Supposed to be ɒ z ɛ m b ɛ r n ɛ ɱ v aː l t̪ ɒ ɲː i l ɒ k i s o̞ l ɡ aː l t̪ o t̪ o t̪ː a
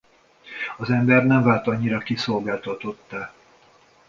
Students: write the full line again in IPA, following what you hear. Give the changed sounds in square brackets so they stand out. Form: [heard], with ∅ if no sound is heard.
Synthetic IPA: ɒ z ɛ m b ɛ r n ɛ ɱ v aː l t̪ ɒ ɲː i [ɾ] ɒ k i s o̞ l ɡ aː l t̪ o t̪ o t̪ː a